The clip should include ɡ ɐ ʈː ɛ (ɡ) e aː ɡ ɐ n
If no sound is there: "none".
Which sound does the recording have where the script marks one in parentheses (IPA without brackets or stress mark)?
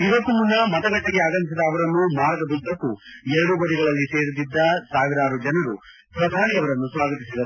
ɡ